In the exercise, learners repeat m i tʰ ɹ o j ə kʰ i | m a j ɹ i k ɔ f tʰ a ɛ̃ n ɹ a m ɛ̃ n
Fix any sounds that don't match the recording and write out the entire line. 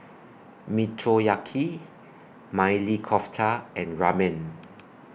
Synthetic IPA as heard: m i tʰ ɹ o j a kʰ i | m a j l i kʰ ɔ f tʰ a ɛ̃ n ɹ a m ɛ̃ n